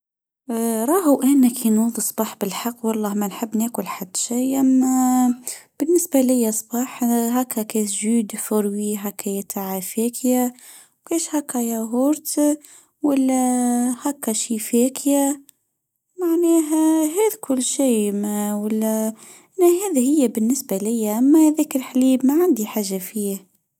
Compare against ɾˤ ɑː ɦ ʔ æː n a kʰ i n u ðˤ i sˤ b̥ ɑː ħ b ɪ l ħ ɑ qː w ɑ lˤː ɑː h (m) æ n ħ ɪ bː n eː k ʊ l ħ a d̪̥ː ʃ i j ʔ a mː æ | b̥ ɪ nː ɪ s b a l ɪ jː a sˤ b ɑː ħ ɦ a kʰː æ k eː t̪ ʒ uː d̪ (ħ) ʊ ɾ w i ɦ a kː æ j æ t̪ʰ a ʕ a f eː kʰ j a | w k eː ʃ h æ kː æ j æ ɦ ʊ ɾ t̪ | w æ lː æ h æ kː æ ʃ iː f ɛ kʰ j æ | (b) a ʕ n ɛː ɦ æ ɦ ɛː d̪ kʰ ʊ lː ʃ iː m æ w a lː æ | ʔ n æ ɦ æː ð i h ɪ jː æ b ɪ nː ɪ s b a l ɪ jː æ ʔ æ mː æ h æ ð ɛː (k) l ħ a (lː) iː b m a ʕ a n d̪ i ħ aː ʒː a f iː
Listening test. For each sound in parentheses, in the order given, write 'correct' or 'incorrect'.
correct, incorrect: f, incorrect: m, correct, incorrect: l

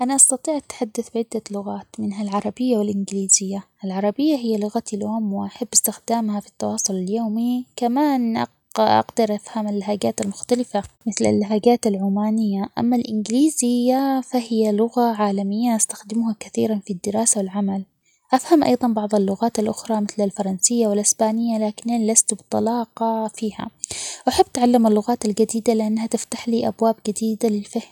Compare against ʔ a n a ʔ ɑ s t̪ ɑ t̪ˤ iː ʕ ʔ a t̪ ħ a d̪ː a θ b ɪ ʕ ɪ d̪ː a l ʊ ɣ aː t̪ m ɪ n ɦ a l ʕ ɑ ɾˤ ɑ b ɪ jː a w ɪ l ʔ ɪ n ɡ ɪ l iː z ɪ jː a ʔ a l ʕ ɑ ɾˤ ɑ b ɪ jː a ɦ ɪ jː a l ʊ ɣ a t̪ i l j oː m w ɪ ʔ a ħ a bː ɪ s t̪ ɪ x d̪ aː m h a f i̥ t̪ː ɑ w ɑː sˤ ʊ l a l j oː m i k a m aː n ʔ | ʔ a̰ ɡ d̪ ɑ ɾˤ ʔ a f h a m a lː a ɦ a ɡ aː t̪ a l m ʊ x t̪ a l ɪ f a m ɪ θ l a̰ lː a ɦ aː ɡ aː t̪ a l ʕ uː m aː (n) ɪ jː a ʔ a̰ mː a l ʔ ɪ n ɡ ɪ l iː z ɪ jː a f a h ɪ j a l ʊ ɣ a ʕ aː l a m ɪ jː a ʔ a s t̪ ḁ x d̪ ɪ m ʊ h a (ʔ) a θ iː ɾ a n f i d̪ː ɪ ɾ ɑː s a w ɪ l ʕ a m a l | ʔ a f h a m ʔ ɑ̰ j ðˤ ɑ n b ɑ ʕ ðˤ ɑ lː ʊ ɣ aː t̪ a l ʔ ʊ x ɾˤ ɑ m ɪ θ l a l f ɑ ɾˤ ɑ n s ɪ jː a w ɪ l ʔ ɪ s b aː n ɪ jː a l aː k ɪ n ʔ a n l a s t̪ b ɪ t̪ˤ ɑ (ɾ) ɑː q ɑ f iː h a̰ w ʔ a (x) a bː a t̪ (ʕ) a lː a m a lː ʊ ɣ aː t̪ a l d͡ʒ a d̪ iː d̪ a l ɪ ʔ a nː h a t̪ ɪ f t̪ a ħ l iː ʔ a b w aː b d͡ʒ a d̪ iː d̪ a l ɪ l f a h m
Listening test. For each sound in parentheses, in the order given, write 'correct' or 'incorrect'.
correct, incorrect: k, incorrect: l, incorrect: ħ, correct

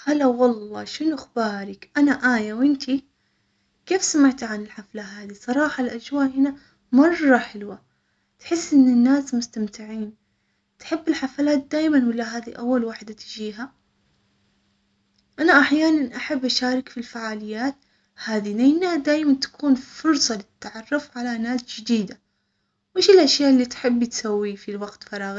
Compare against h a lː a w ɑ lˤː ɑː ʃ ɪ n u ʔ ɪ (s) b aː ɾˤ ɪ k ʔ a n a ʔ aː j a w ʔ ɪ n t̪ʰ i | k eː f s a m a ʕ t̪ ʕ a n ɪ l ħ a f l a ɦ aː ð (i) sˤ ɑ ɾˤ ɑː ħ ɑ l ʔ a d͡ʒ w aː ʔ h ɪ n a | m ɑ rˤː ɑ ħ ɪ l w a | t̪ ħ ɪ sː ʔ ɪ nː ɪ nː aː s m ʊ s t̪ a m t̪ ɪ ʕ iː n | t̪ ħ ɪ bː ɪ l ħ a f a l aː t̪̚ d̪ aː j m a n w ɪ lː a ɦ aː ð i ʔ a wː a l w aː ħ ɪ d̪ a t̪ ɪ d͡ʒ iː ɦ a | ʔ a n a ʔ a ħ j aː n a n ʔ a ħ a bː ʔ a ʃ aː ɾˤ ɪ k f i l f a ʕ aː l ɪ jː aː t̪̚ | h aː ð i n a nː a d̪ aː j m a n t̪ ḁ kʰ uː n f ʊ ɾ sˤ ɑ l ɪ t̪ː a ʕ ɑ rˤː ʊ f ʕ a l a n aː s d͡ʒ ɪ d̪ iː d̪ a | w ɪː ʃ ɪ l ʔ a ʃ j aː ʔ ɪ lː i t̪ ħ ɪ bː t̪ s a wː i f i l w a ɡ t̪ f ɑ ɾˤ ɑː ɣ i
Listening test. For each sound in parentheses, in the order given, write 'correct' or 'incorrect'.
incorrect: x, correct

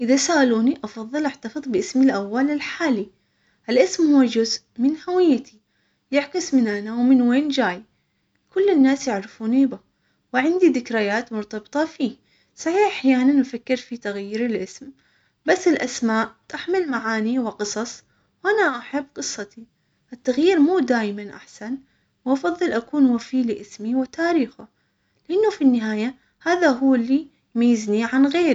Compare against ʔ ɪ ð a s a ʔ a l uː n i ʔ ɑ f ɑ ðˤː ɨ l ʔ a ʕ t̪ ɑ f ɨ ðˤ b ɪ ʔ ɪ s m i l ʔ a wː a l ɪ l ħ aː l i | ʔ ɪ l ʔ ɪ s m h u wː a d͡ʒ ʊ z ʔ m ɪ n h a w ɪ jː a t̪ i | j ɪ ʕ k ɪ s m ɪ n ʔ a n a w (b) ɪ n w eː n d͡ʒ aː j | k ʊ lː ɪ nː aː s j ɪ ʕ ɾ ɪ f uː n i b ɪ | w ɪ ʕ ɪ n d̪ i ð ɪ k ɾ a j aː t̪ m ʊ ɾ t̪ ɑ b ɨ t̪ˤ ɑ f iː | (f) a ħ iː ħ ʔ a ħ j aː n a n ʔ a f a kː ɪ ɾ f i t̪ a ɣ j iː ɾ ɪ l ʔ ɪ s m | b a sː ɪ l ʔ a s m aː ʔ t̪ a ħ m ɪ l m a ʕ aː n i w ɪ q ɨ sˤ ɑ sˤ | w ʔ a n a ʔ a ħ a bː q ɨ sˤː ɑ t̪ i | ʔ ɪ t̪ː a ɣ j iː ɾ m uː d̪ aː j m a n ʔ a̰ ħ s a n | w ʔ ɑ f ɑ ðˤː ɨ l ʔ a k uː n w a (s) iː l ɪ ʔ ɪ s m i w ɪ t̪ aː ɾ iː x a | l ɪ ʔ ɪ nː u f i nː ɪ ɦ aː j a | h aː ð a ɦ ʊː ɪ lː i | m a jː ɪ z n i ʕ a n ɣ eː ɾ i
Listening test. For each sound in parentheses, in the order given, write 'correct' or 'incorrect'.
incorrect: m, incorrect: s, incorrect: f

